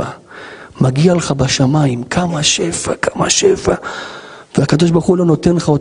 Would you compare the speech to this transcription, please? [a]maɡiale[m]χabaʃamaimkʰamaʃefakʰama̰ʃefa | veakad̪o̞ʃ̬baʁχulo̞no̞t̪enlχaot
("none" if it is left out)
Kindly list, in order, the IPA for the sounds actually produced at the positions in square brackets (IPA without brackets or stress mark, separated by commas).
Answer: a, none